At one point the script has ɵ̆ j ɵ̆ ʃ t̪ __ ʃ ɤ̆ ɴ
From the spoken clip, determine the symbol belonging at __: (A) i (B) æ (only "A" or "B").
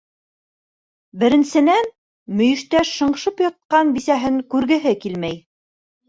B